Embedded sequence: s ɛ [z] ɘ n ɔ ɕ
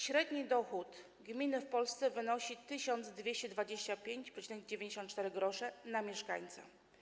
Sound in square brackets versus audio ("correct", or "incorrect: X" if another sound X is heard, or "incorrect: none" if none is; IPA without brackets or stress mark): incorrect: v